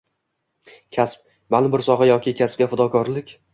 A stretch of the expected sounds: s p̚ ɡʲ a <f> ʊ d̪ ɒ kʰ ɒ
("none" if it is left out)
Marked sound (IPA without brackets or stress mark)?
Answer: f